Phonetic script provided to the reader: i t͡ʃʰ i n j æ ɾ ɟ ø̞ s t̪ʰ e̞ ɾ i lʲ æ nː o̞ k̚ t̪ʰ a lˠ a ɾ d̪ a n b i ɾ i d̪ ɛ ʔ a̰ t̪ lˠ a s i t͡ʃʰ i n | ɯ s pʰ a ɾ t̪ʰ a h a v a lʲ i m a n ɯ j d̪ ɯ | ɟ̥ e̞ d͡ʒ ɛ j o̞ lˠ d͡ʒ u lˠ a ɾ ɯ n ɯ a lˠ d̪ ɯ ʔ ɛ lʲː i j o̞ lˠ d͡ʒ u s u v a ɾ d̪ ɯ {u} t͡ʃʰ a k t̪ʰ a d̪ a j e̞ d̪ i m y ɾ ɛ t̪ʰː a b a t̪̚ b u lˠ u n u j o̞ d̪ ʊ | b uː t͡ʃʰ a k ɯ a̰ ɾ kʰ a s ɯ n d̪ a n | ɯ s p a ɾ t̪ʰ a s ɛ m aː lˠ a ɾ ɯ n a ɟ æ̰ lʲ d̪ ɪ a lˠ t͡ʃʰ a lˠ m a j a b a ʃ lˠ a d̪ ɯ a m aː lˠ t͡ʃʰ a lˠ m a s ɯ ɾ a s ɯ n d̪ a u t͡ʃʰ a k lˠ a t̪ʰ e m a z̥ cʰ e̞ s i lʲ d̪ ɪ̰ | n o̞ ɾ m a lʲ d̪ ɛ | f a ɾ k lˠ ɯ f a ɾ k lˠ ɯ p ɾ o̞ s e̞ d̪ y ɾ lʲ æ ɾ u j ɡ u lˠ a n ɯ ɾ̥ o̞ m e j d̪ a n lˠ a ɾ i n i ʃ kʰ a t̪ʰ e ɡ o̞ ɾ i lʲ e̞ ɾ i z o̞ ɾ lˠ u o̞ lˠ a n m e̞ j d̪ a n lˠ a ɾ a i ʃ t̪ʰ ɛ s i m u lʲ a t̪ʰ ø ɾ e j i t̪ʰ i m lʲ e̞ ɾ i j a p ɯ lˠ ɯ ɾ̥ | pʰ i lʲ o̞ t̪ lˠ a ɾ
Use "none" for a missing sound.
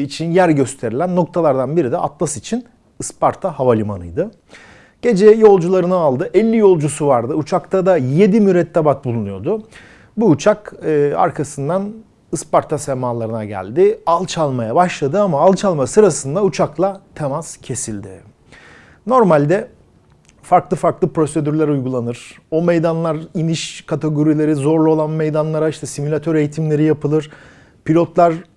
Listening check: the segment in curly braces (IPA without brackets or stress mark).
u